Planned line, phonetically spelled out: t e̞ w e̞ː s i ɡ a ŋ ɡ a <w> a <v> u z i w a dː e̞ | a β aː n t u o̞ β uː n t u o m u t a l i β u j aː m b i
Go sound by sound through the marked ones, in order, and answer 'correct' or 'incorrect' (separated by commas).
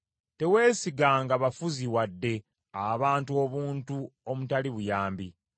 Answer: incorrect, incorrect